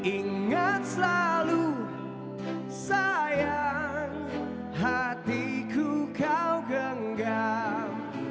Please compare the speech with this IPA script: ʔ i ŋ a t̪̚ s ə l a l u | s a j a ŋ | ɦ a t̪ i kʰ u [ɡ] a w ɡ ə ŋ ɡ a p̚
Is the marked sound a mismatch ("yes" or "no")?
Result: yes